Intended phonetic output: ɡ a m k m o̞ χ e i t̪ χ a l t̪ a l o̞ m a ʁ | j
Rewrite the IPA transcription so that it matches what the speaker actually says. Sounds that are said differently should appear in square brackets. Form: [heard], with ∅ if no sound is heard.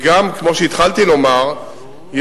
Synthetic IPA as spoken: ɡ a m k m o̞ [ʃ] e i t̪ χ a l t̪ [i] l o̞ m a ʁ | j